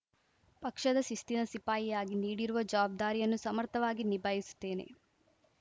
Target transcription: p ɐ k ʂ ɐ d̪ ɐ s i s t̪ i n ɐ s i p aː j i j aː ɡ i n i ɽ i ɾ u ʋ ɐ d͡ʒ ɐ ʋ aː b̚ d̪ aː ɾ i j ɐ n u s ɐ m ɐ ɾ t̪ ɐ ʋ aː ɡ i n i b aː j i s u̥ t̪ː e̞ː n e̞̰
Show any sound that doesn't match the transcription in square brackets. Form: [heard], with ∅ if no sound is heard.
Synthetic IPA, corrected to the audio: p ɐ k ʂ ɐ d̪ ɐ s i s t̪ i n ɐ s i p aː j i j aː ɡ i n [iː] ɽ i ɾ u ʋ ɐ d͡ʒ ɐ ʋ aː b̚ d̪ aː ɾ i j ɐ [nː] u s ɐ m ɐ ɾ t̪ ɐ ʋ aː ɡ i n i b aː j i s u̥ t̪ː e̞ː n e̞̰